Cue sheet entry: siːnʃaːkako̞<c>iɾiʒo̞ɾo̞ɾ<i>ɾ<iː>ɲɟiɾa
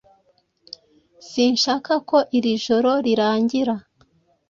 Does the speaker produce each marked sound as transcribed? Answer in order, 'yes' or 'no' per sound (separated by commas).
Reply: no, yes, no